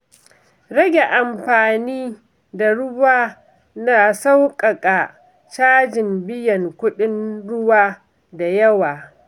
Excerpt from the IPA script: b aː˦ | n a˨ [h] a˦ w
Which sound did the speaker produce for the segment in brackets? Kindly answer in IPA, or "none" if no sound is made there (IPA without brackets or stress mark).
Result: s